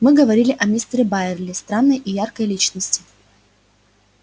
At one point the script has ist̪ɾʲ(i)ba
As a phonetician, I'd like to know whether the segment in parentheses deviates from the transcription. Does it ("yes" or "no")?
yes